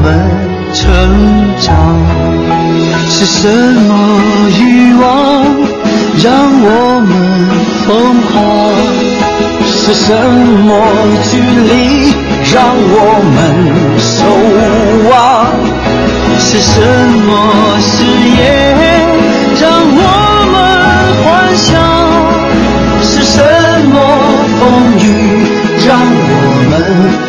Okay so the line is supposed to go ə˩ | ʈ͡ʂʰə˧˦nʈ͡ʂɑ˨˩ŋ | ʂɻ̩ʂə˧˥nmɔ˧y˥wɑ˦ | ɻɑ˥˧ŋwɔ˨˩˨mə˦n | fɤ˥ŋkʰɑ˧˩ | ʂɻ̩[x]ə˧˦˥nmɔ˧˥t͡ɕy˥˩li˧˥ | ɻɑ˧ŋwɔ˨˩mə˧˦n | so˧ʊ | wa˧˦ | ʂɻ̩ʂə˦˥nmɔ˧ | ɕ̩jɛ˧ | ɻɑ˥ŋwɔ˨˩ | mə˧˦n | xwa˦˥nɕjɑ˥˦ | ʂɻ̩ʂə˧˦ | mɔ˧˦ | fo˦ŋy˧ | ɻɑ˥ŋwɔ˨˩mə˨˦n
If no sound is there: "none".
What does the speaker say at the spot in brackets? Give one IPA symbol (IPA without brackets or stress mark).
ʂ